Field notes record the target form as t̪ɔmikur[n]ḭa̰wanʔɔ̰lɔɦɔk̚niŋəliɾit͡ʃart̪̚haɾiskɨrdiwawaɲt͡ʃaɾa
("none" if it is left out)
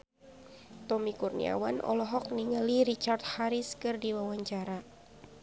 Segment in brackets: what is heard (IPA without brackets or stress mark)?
n